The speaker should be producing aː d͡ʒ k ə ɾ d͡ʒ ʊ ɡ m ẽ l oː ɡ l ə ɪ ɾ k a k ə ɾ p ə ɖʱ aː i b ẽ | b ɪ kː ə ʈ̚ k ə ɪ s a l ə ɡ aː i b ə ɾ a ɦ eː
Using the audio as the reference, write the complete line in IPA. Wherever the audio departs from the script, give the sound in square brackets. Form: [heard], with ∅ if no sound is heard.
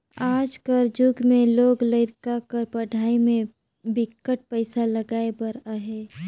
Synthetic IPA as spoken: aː d͡ʒ k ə ɾ d͡ʒ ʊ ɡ m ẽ l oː ɡ l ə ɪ ɾ k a k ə ɾ p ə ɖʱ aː i [m] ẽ | b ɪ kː ə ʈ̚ [p] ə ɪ s a l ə ɡ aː [e] b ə ɾ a ɦ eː